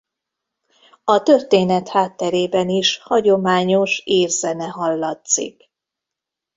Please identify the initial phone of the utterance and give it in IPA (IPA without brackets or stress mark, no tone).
ɒ